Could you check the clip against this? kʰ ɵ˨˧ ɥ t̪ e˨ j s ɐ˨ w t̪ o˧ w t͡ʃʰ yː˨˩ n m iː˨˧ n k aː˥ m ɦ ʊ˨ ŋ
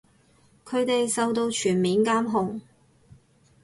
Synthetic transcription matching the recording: kʰ ɵ˨˧ ɥ t̪ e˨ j s ɐ˨ w t̪ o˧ w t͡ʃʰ yː˨˩ n m iː˨˧ n k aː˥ m ɦ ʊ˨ ŋ

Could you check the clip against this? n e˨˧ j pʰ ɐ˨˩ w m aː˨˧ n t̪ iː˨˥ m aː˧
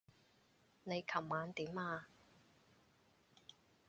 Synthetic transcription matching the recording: n e˨˧ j kʰ ɐ˨˩ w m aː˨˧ n t̪ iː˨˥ m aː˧

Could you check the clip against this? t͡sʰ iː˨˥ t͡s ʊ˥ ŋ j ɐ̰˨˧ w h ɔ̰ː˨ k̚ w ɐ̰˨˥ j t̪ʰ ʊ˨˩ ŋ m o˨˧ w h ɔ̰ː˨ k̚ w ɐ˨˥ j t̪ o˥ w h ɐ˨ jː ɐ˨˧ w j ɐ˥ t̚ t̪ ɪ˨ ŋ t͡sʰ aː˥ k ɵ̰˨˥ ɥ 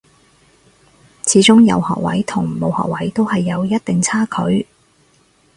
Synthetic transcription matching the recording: t͡sʰ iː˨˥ t͡s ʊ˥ ŋ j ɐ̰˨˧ w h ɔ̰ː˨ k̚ w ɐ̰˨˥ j t̪ʰ ʊ˨˩ ŋ m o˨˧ w h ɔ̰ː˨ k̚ w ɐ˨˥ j t̪ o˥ w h ɐ˨ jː ɐ˨˧ w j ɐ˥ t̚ t̪ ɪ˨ ŋ t͡sʰ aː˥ kʰ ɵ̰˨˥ ɥ

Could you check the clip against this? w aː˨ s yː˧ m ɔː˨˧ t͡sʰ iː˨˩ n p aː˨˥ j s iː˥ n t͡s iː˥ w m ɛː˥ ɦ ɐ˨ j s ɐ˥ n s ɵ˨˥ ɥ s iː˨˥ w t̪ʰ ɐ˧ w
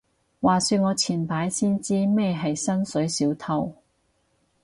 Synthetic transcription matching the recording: w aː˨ s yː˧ ŋ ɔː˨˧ t͡sʰ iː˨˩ n p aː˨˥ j s iː˥ n t͡s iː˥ m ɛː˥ ɦ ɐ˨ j s ɐ˥ n s ɵ˨˥ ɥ s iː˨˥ w t̪ʰ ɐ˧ w

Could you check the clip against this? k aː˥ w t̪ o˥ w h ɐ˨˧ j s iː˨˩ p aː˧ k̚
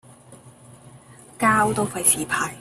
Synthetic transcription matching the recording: k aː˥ w t̪ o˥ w f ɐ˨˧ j s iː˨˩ pʰ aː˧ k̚

